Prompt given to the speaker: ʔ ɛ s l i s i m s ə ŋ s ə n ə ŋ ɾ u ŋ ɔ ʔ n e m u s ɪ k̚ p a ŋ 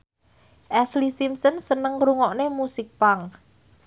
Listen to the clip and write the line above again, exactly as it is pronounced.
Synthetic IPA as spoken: ʔ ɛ s l i s i m s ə n s ə n ə ŋ ɾ u ŋ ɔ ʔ n e m u s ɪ k̚ p a ŋ

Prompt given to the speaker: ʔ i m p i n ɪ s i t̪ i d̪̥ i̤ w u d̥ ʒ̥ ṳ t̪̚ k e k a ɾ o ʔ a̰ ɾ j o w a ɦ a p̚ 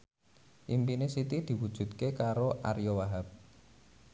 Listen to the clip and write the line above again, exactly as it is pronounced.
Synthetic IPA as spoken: ʔ i m p i n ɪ s i t̪ i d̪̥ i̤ w u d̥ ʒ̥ ṳ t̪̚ k e k a ɾ o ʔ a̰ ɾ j o w a ɦ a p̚

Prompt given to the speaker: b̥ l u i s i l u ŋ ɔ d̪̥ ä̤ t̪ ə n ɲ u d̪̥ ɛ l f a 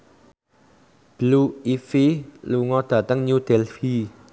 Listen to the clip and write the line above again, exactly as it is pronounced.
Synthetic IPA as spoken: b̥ l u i f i l u ŋ ɔ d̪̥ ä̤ t̪ ə ŋ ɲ u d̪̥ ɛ l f i

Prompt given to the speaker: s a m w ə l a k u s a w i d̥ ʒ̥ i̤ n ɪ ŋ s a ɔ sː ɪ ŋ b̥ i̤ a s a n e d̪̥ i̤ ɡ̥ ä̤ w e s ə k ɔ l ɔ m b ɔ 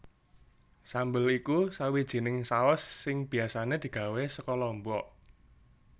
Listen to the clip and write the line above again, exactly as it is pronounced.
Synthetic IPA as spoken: s a m b ə l i k u s a w i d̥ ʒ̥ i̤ n ɪ ŋ s a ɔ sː ɪ ŋ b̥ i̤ a s a n e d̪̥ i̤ ɡ̥ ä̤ w e s ə k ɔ l ɔ m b ɔ

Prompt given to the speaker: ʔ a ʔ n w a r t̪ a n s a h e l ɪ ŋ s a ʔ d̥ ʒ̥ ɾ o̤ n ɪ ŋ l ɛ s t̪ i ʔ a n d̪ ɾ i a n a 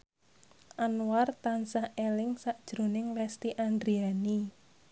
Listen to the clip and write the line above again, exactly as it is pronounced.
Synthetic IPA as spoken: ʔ a n w a r t̪ a n s a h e l ɪ ŋ s a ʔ d̥ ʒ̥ ɾ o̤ n ɪ ŋ l ɛ s t̪ i ʔ a n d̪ ɾ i a n i

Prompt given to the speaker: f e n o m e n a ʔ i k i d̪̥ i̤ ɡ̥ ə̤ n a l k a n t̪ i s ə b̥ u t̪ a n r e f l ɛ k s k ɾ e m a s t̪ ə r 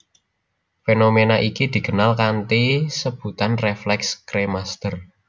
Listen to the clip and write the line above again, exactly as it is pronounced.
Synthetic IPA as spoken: f e n o m e n a ʔ i k i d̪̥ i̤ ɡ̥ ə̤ n a l k a n t̪ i s ə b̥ u t̪ a n r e f l ɛ k s k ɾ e m a s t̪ ə r

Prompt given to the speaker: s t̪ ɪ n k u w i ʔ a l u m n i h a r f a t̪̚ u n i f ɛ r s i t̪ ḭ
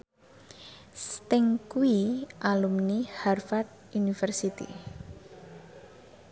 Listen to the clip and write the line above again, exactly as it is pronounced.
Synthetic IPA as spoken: s t̪ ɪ ŋ k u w i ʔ a l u m n i h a r f a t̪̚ u n i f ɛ r s i t̪ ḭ

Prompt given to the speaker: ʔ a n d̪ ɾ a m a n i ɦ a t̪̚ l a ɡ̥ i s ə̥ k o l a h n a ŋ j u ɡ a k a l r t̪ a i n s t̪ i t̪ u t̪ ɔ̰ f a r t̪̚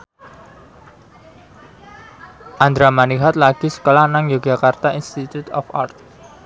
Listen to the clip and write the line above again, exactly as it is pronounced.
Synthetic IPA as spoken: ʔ a n d̪ ɾ a m a n i ɦ a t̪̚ l a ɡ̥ i s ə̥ k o l a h n a ŋ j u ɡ a k a r t̪ a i n s t̪ i t̪ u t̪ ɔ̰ f a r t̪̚

